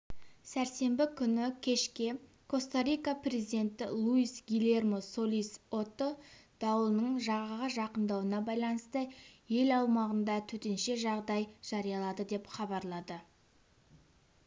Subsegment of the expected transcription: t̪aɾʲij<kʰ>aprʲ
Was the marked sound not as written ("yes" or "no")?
yes